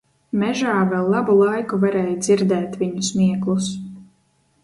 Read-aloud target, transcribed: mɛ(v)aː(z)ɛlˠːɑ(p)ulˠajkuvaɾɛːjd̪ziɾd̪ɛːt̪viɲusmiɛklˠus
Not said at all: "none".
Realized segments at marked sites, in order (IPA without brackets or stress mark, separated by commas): ʒ, v, b